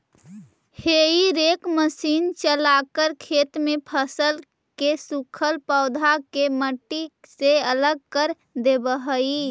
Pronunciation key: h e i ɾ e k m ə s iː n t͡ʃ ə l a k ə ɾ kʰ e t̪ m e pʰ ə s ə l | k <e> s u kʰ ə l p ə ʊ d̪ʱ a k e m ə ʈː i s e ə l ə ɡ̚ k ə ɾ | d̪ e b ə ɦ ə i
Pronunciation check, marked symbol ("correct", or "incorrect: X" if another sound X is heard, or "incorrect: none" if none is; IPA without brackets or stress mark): correct